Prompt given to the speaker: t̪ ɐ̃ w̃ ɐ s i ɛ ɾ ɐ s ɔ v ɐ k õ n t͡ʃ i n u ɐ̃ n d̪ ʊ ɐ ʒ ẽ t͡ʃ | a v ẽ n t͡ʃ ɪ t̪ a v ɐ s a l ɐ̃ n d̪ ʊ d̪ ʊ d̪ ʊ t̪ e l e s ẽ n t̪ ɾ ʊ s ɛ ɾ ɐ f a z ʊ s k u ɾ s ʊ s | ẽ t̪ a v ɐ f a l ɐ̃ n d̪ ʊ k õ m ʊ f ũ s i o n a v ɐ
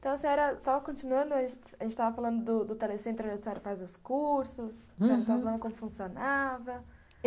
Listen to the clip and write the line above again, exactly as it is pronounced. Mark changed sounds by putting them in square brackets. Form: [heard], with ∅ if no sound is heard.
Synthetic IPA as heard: t̪ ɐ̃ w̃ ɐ s [ĩ] ɛ ɾ ɐ s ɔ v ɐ k õ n t͡ʃ i n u ɐ̃ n d̪ ʊ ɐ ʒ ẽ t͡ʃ | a [ʒ] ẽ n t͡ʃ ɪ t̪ a v ɐ [f] a l ɐ̃ n d̪ ʊ d̪ ʊ d̪ ʊ t̪ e l e s ẽ n t̪ ɾ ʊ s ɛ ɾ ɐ f a z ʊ s k u ɾ s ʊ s | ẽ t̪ a v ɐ f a l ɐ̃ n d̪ ʊ k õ m ʊ f ũ s i o n a v ɐ